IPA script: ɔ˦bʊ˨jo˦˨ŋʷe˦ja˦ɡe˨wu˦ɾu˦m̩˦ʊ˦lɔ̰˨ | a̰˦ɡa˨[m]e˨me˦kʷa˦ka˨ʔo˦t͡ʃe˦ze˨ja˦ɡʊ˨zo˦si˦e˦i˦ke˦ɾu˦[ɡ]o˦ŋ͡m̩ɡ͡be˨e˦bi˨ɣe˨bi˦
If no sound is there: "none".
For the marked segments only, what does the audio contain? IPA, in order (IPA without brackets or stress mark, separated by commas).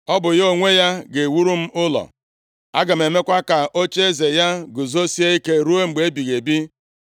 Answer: m, none